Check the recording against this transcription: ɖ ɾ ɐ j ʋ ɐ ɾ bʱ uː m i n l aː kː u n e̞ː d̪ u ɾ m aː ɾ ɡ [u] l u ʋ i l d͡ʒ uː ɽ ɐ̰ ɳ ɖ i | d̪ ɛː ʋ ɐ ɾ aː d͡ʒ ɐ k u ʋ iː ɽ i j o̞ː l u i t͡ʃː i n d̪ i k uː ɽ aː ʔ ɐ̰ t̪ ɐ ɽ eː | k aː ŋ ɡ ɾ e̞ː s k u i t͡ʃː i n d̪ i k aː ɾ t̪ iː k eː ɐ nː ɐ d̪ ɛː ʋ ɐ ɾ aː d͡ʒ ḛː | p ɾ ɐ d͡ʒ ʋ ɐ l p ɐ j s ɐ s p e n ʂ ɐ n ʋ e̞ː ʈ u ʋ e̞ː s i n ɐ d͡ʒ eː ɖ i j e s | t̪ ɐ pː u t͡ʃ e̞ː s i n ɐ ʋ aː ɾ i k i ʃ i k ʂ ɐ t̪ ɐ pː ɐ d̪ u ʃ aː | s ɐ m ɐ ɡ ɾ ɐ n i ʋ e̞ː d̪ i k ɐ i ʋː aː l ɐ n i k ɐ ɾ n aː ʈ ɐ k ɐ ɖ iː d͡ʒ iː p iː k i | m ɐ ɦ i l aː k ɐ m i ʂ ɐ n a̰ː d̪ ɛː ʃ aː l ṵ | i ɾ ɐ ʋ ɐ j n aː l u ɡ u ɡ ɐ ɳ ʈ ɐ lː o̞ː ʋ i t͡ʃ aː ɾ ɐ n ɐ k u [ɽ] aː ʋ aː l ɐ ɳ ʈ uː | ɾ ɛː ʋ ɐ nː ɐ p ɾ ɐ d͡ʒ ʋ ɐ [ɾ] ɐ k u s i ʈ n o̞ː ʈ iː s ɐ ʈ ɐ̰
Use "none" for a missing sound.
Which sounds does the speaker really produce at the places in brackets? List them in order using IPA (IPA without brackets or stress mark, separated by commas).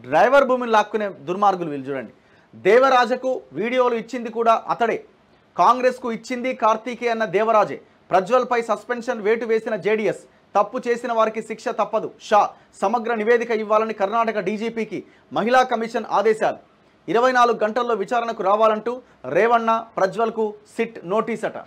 u, ɾ, l